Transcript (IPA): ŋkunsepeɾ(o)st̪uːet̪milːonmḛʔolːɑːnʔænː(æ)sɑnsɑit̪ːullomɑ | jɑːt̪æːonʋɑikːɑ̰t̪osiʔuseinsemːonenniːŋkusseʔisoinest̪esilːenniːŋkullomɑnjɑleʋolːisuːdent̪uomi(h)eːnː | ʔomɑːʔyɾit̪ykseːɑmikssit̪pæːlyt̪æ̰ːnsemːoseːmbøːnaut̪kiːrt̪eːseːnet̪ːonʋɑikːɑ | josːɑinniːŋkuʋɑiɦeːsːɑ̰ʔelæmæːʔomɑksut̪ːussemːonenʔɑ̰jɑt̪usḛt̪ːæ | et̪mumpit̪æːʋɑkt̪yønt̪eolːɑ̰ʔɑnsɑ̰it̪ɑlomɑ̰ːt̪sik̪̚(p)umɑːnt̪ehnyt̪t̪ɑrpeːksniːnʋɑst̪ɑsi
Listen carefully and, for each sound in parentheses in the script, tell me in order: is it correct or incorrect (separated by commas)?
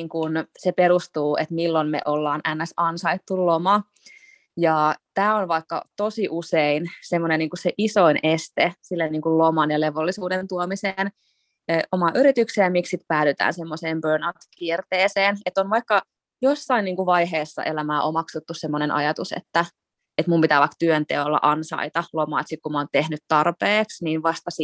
incorrect, correct, incorrect, incorrect